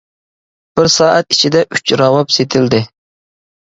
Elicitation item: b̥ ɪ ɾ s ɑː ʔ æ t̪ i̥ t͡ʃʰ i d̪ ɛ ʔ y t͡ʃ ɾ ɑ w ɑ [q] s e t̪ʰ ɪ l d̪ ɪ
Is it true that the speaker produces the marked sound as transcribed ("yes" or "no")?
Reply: no